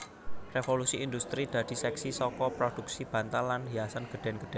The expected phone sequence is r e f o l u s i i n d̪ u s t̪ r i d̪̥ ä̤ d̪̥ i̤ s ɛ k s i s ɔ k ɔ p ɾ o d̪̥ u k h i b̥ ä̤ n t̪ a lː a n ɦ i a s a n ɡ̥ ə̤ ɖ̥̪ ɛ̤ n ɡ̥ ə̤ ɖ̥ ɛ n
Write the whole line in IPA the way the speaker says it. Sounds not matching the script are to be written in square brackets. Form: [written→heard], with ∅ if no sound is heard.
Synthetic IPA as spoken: r e f o l u s i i n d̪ u s t̪ [r→ɾ] i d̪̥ ä̤ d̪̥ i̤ s ɛ k s i s ɔ k ɔ p ɾ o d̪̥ u k [h→s] i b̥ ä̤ n t̪ a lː a n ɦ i a s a n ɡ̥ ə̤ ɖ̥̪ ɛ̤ n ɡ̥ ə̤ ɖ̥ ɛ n